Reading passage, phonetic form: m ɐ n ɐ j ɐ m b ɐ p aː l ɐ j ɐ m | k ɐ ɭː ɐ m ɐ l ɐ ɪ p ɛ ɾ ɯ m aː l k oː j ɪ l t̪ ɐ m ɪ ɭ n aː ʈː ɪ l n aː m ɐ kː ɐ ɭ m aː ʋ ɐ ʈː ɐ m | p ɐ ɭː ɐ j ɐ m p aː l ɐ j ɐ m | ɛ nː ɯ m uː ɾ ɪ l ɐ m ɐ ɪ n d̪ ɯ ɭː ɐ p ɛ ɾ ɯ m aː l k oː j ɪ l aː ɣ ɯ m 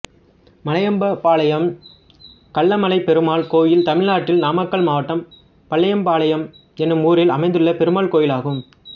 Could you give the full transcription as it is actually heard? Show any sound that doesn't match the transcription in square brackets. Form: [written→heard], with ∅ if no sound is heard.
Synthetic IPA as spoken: m ɐ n ɐ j ɐ m b ɐ p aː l ɐ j ɐ m | k ɐ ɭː ɐ m ɐ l ɐ ɪ p ɛ ɾ ɯ m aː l k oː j ɪ l t̪ ɐ m ɪ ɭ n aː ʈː ɪ l n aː m ɐ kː ɐ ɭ m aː ʋ ɐ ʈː ɐ m | p ɐ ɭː ɐ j ɐ m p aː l ɐ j ɐ m | ɛ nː ɯ m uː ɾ ɪ l ɐ m ɐ ɪ n d̪ ɯ ɭː ɐ p ɛ ɾ ɯ m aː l k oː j ɪ l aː ɣ ɯ m